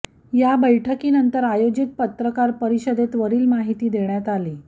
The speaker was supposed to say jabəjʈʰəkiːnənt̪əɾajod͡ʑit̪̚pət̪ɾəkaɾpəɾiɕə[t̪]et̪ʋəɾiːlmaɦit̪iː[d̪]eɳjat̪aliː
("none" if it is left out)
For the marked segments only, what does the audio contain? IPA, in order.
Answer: d̪, d̪

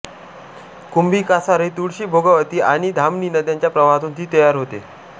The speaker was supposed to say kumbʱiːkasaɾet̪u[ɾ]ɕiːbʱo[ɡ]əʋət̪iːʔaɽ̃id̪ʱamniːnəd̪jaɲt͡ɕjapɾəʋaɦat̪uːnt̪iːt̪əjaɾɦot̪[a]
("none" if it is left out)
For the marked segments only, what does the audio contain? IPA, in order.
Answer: ɽ, ɡ, e

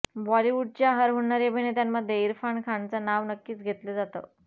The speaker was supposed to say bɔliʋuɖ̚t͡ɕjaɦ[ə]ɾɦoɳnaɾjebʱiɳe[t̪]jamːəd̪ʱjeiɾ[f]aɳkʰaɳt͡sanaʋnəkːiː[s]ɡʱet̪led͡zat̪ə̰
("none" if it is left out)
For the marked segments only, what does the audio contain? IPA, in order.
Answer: ə, t̪, f, t͡s

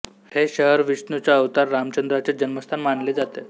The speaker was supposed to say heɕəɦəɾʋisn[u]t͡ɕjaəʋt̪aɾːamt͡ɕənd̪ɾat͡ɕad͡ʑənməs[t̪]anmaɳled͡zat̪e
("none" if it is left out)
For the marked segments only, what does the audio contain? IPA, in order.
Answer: u, t̪ʰ

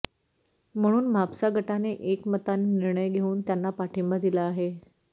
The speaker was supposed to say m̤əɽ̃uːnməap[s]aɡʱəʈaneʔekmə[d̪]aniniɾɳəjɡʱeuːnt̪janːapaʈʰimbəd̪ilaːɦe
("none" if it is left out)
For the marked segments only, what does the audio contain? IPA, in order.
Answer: s, t̪

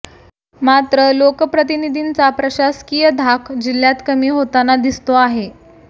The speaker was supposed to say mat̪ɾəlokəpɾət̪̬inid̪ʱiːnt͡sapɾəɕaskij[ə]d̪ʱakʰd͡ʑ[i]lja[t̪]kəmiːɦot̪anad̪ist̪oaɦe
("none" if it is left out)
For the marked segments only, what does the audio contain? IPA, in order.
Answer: ə, i, t̪

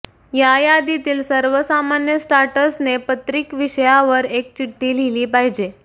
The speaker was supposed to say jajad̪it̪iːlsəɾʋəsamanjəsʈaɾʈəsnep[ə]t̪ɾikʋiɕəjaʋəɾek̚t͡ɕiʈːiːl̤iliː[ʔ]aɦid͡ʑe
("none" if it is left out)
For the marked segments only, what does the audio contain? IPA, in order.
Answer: ə, p

